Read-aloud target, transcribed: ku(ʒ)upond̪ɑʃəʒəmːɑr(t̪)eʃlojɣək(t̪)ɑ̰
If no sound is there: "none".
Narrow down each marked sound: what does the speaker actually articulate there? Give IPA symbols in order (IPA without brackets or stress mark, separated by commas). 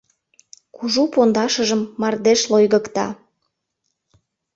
ʒ, d̪, t̪